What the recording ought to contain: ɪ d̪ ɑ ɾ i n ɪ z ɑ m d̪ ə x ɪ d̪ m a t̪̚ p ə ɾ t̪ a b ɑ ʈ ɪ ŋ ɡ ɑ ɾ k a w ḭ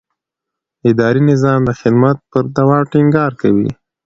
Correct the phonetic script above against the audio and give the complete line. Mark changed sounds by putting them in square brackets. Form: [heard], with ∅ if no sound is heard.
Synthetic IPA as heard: ɪ d̪ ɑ ɾ i n ɪ z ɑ m d̪ ə x ɪ d̪ m a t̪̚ p ə ɾ [d̪] a [w] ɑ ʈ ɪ ŋ ɡ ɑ ɾ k a w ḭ